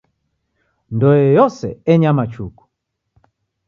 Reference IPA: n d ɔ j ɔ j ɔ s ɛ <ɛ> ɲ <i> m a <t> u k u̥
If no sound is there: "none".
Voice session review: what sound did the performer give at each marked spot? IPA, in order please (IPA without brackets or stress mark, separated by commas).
ɛ, a, t͡ʃ